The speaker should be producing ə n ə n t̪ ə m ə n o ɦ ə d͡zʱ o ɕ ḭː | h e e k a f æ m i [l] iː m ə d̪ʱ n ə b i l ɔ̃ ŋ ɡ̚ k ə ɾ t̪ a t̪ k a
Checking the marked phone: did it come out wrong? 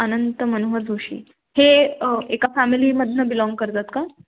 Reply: no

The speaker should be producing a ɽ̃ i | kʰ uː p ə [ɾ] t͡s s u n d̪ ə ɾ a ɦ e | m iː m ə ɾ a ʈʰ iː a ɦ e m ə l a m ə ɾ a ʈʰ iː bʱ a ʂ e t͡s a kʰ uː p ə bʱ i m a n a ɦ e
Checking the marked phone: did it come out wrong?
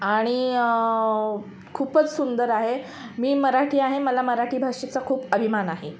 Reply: yes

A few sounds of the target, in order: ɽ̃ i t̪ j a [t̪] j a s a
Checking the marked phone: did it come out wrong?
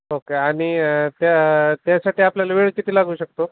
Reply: no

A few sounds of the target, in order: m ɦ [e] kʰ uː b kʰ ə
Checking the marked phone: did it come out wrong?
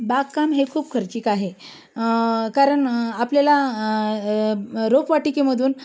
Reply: no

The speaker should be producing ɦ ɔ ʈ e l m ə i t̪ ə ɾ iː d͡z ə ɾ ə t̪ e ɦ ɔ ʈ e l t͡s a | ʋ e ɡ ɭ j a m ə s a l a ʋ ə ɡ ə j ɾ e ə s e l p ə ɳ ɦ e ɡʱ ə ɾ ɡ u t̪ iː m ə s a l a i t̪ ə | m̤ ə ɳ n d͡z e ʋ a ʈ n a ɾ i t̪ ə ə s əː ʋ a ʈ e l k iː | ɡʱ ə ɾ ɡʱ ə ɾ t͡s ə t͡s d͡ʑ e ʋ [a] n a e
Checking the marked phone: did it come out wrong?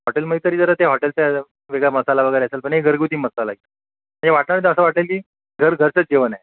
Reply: yes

